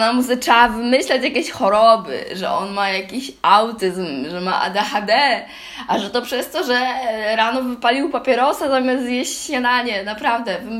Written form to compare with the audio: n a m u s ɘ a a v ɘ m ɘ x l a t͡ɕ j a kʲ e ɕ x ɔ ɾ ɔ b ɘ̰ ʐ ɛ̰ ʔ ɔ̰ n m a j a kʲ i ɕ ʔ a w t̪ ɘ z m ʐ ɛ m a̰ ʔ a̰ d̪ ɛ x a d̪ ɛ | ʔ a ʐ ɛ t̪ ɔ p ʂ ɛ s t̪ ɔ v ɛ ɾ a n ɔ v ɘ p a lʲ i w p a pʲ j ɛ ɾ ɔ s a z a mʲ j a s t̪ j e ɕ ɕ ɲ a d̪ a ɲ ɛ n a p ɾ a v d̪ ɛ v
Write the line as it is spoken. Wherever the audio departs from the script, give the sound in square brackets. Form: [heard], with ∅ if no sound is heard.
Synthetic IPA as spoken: n a m u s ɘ a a v ɘ m ɘ [ɕ] l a t͡ɕ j a kʲ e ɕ x ɔ ɾ ɔ b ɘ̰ ʐ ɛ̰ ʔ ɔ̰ n m a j a kʲ i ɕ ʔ a w t̪ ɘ z m ʐ ɛ m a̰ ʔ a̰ d̪ ɛ x a d̪ ɛ | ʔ a ʐ ɛ t̪ ɔ p ʂ ɛ s t̪ ɔ [ʐ] ɛ ɾ a n ɔ v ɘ p a lʲ i w p a pʲ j ɛ ɾ ɔ s a z a mʲ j a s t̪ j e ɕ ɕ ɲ a d̪ a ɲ ɛ n a p ɾ a v d̪ ɛ v